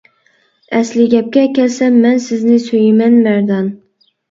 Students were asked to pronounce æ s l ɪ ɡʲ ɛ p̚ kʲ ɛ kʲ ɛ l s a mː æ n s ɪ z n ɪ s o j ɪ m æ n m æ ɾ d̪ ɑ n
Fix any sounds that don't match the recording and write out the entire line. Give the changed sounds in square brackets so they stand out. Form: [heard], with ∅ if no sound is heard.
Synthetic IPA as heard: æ s l ɪ ɡʲ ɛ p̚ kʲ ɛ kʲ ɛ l s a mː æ n s ɪ z n ɪ s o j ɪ m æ n m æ ɾ d̪ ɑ n